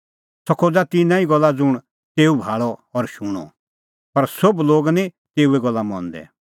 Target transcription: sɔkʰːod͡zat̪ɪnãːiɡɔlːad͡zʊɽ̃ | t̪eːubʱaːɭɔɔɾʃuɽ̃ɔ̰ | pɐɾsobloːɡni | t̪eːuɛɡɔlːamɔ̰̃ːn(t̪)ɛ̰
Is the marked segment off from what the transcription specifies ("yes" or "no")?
yes